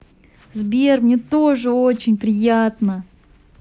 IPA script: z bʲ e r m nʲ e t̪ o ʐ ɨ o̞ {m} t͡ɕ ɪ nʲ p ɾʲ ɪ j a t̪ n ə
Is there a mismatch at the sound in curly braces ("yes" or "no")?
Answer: yes